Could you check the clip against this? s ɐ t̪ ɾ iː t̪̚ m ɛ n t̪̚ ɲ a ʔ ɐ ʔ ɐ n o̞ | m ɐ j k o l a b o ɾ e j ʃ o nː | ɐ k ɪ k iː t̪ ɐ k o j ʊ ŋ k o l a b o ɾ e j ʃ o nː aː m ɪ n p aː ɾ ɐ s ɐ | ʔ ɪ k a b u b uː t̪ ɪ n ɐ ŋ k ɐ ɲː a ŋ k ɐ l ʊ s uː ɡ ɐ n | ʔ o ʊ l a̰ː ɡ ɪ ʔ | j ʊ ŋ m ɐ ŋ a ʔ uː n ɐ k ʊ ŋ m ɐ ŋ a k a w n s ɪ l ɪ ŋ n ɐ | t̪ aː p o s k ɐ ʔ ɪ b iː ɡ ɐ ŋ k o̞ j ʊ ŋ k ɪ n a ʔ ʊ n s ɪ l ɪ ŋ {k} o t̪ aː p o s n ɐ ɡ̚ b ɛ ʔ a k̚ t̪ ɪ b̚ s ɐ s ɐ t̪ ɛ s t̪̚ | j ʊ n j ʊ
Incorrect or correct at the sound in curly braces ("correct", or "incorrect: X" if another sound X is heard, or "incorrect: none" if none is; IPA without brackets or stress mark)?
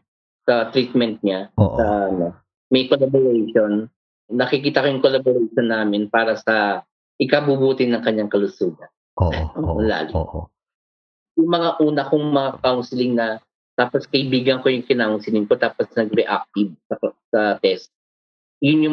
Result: correct